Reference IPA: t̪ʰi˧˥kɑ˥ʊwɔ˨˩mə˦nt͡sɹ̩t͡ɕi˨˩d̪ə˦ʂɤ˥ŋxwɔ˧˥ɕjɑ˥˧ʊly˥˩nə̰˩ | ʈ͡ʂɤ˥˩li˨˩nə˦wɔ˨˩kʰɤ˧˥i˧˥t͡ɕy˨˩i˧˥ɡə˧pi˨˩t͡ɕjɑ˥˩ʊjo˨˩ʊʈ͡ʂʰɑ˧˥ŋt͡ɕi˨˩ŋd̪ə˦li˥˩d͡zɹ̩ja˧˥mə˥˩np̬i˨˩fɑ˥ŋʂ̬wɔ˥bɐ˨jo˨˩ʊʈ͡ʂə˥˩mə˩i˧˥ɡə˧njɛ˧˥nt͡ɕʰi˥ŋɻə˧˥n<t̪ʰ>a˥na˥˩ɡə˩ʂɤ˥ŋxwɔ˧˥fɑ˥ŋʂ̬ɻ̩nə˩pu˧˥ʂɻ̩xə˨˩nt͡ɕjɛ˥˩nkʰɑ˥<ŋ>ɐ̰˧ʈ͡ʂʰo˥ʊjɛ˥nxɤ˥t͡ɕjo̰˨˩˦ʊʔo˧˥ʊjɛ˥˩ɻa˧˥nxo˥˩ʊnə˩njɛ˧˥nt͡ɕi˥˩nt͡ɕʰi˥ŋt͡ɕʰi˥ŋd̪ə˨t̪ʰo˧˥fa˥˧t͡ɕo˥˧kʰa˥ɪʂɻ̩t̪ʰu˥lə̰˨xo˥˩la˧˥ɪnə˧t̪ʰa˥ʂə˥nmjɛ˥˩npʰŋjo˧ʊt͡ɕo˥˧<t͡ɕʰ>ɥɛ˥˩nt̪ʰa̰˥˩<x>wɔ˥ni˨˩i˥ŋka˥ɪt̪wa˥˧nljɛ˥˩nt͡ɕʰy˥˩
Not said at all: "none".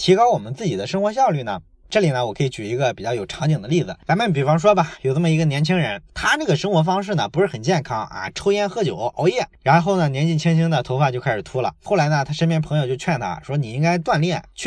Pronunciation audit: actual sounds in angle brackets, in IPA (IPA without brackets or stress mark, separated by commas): t̪ʰ, ŋ, t͡ɕʰ, ʂ